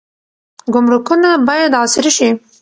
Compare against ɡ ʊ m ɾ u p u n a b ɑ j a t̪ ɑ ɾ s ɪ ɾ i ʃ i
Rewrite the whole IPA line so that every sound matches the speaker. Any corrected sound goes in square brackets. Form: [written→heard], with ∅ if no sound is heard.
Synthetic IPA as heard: ɡ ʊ m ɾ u [p→k] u n a b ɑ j a [t̪→d̪] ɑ [ɾ→∅] s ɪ ɾ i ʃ i